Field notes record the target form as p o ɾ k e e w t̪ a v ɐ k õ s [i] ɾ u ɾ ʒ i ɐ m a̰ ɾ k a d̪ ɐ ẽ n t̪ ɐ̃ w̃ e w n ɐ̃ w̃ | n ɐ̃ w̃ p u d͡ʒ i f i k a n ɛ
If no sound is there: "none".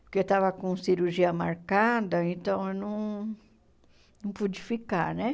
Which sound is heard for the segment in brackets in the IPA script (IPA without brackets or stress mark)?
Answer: i